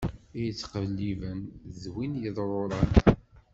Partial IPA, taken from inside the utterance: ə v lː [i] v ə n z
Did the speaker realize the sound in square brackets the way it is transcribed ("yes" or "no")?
yes